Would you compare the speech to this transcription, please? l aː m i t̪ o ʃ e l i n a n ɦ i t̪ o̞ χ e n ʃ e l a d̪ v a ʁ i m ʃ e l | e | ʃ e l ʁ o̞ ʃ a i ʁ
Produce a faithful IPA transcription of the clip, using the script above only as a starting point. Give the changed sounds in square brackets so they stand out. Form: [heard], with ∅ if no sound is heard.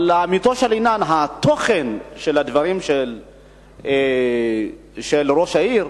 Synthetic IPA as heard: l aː m i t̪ o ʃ e l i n a n ɦ [a] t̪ o̞ χ e n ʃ e l a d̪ v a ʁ i m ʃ e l | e | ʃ e l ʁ o̞ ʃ a i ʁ